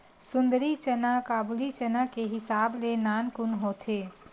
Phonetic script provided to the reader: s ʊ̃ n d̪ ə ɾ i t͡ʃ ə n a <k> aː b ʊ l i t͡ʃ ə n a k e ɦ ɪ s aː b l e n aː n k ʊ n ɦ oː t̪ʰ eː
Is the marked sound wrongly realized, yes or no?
no